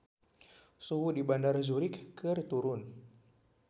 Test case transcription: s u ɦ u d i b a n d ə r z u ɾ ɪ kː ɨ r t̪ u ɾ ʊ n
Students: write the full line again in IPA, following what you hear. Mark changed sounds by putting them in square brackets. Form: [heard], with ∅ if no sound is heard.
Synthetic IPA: s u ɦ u d i b a n d [a] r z u ɾ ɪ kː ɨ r t̪ u ɾ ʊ n